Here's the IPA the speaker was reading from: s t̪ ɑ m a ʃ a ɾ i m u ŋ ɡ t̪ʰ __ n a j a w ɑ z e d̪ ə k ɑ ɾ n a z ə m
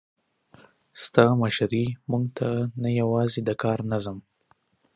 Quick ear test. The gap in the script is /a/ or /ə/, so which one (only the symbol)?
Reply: a